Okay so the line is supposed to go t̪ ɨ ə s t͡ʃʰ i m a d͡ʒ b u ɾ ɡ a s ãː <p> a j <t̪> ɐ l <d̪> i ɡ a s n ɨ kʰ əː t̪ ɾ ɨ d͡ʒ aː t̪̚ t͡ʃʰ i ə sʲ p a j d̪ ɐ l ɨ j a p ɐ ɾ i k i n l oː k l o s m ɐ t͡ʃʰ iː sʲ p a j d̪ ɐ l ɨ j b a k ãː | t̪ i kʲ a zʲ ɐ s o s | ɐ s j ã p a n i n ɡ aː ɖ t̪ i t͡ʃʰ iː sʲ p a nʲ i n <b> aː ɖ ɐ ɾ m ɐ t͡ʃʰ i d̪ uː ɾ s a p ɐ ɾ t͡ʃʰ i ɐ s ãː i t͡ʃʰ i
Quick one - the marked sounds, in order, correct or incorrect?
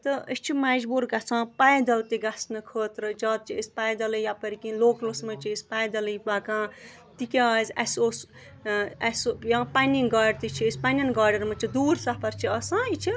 correct, incorrect, incorrect, incorrect

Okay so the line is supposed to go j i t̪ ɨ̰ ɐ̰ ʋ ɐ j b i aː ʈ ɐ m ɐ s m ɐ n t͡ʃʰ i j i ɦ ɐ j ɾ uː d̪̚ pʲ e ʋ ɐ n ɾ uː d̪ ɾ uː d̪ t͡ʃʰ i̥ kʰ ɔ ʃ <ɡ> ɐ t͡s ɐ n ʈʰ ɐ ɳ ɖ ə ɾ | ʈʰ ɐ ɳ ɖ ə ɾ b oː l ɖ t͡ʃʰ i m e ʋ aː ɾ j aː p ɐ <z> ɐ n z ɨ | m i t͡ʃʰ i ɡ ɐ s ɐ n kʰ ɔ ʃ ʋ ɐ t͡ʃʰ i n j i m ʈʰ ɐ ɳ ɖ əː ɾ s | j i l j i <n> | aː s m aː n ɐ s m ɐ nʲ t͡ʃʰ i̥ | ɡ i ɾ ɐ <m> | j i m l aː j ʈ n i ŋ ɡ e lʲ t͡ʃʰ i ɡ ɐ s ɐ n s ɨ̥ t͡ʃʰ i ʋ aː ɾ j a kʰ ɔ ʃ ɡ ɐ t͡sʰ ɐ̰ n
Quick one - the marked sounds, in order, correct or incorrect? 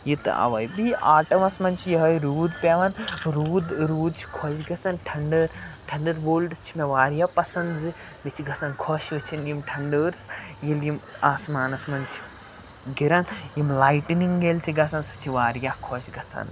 correct, incorrect, incorrect, incorrect

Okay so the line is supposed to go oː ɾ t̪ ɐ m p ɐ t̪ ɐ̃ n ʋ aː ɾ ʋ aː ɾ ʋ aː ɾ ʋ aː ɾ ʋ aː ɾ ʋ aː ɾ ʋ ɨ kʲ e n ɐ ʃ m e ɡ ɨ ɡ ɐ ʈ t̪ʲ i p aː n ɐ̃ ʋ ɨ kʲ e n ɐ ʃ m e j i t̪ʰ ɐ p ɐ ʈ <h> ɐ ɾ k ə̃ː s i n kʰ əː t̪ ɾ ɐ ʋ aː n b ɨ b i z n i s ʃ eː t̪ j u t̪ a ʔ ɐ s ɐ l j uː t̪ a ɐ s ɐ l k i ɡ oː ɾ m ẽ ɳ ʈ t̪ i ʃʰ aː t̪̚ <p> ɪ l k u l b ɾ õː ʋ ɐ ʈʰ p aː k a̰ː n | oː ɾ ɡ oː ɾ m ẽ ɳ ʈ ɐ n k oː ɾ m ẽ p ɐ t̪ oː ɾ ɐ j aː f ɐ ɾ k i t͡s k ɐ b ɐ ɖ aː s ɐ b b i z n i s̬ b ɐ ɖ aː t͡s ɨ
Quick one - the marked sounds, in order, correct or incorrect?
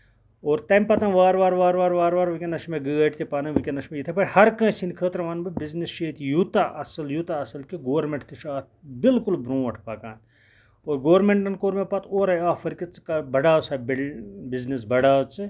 correct, incorrect

